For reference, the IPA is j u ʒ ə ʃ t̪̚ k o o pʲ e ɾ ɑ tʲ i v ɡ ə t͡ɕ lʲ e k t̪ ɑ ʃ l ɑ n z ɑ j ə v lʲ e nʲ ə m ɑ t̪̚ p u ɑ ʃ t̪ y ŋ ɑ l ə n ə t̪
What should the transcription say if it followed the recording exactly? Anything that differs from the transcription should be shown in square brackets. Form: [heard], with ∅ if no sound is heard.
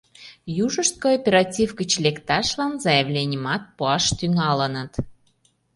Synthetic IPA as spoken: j u ʒ ə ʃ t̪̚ k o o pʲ e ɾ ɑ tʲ i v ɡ ə t͡ɕ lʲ e k t̪ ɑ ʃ l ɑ n z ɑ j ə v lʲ e nʲ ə m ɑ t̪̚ p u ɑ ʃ t̪ y ŋ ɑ l ə n ə t̪